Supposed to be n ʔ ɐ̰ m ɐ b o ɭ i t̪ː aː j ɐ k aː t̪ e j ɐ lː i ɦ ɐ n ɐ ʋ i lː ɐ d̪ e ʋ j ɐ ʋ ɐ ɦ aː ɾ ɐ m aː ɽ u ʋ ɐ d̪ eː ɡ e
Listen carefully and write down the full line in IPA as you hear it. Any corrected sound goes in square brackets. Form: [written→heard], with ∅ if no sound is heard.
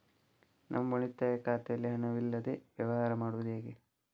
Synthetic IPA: n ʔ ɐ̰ m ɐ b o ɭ i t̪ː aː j ɐ k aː t̪ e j ɐ lː i ɦ ɐ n ɐ ʋ i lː ɐ d̪ e ʋ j ɐ ʋ ɐ ɦ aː ɾ ɐ m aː ɽ u ʋ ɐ d̪ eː ɡ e